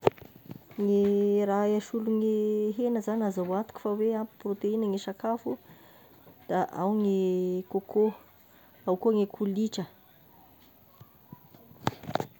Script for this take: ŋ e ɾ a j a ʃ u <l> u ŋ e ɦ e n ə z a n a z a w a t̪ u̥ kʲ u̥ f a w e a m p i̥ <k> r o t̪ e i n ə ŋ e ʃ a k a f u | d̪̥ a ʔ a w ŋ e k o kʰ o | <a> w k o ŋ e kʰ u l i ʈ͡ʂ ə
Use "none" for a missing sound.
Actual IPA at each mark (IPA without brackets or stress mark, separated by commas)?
l, p, a